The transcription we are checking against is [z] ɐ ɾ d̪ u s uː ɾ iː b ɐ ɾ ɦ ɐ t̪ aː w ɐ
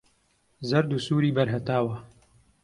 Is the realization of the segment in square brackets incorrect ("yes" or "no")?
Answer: no